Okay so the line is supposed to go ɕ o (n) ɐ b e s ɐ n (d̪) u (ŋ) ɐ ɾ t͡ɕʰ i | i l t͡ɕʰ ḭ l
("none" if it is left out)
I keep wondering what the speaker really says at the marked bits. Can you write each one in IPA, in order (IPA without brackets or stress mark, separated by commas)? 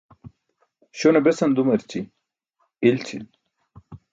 n, d̪, m